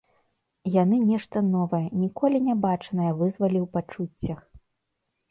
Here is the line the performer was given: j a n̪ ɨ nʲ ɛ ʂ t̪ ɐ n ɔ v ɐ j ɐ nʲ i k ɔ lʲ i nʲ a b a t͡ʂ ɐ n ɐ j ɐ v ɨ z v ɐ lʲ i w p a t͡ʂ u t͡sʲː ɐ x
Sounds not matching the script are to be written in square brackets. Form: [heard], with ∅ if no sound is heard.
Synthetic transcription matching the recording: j a n̪ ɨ nʲ ɛ ʂ t̪ ɐ n ɔ v ɐ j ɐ nʲ i k ɔ lʲ i nʲ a b a t͡ʂ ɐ n ɐ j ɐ v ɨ z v ɐ lʲ i w p a t͡ʂ u t͡sʲː ɐ x